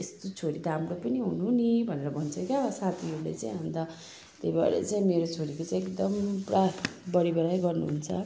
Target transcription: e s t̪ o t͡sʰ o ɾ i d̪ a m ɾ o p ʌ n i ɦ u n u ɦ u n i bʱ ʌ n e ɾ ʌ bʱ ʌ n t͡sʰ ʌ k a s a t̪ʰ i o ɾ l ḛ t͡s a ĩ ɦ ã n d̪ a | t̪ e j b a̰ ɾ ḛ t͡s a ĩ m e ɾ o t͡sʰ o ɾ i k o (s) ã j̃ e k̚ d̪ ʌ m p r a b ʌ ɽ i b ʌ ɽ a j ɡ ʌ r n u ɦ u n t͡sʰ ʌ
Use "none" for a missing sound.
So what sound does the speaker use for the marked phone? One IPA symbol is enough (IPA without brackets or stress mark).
t͡s